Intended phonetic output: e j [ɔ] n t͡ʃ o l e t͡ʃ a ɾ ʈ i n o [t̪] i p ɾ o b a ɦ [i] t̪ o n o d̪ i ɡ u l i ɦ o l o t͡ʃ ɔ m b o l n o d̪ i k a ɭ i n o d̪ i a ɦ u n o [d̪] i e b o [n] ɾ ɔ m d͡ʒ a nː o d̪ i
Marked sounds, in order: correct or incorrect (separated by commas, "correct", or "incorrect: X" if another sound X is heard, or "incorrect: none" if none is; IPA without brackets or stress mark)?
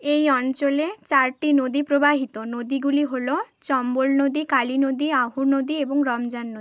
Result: correct, incorrect: d̪, correct, correct, incorrect: ŋ